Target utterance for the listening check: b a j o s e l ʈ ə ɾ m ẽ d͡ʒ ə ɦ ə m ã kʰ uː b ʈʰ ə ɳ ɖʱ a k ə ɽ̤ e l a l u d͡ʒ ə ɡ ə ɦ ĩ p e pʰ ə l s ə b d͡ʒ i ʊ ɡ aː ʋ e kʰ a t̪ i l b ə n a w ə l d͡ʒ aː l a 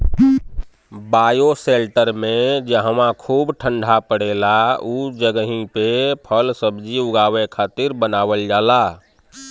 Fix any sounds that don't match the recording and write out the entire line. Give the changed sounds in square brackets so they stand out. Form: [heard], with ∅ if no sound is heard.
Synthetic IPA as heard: b a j o s e l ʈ ə ɾ m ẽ d͡ʒ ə ɦ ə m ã kʰ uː b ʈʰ ə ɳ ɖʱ a [p] ə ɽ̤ e l a [∅] u d͡ʒ ə ɡ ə ɦ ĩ p e pʰ ə l s ə b d͡ʒ i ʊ ɡ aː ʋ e kʰ a t̪ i [ɾ] b ə n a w ə l d͡ʒ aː l a